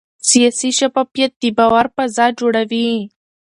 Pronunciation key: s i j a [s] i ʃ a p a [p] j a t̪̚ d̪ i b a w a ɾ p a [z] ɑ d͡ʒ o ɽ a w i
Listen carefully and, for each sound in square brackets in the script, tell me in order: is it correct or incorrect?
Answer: correct, correct, correct

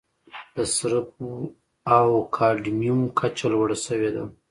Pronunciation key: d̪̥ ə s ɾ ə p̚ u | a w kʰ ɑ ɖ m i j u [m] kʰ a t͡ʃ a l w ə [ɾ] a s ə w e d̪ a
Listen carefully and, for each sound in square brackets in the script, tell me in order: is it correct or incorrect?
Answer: correct, incorrect: ɽ

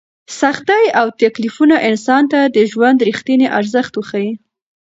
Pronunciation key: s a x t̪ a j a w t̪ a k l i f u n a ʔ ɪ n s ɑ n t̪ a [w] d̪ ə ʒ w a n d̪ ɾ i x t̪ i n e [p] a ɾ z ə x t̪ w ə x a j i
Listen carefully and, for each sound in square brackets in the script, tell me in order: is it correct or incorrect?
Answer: incorrect: none, incorrect: ʔ

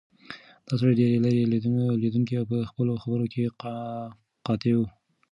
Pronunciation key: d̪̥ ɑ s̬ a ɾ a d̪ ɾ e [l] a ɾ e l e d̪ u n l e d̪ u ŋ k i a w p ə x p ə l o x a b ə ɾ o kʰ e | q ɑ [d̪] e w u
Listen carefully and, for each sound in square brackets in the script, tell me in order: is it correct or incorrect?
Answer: correct, incorrect: t̪

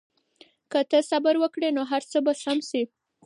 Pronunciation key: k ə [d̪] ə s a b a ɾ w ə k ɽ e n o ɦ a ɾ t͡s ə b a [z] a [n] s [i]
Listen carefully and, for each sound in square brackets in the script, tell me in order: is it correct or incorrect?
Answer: incorrect: t̪, incorrect: s, incorrect: m, correct

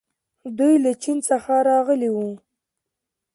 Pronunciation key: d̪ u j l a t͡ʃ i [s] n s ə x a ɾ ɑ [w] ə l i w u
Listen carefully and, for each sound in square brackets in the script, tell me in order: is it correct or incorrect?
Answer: incorrect: none, incorrect: ɣ

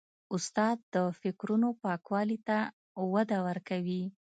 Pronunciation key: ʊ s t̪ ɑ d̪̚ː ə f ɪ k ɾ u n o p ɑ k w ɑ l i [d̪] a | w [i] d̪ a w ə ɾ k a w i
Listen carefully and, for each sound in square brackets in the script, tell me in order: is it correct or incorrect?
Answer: incorrect: t̪, incorrect: a

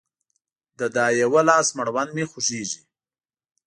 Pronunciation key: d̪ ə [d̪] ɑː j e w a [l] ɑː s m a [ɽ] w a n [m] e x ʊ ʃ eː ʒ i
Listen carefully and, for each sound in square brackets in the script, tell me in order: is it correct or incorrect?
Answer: correct, correct, correct, correct

